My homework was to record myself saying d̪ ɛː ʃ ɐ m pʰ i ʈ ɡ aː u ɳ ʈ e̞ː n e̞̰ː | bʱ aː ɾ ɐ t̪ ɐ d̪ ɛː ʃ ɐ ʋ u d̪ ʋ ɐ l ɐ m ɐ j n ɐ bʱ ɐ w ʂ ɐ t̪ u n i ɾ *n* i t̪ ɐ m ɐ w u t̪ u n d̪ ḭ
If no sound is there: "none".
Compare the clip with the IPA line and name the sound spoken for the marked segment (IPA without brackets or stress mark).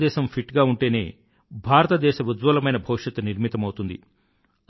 m